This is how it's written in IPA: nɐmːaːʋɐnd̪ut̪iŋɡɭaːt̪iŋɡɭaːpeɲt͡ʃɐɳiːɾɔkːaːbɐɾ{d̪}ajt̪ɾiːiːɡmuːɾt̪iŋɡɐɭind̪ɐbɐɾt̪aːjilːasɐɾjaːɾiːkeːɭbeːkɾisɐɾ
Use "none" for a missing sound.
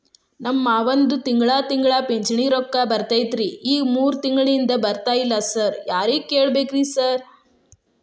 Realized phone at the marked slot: t̪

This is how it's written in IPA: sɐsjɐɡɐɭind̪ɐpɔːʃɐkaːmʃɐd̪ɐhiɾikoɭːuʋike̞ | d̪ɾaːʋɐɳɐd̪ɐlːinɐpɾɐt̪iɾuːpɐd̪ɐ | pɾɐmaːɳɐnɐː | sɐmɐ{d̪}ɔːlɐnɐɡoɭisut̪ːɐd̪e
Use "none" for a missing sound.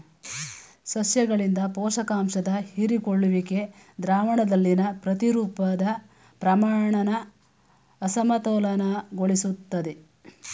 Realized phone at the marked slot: t̪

